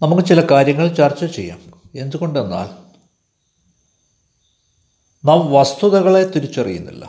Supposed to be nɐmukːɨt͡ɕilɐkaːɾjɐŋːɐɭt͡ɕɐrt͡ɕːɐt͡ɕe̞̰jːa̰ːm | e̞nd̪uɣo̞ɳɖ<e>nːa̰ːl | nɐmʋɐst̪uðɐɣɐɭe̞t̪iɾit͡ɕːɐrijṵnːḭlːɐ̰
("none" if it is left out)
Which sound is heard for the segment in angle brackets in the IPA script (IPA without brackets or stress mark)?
e